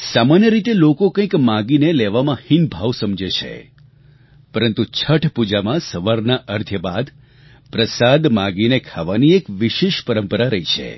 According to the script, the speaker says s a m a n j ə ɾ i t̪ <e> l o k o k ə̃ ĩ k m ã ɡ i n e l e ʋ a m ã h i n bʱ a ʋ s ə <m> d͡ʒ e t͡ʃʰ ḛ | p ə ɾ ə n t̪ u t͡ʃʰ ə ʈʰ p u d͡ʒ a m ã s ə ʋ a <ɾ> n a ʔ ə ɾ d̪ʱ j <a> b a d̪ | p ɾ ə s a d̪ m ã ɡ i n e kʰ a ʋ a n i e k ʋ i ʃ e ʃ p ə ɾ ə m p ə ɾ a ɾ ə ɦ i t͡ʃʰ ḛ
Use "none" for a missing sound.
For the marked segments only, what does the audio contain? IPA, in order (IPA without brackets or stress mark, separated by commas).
e, m, ɾ, ə